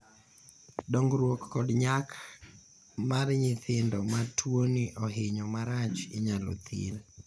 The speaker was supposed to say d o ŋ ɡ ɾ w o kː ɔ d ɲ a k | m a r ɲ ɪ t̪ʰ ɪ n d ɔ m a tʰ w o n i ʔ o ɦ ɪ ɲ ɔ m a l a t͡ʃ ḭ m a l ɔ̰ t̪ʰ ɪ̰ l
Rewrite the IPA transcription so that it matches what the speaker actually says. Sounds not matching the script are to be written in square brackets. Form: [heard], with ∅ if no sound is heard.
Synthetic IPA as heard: d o ŋ ɡ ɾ w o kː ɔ d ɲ a k | m a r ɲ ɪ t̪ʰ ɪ n d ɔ m a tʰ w o n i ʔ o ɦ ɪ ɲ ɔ m a [ɾ] a t͡ʃ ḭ [ɲ] a l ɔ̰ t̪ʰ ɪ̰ l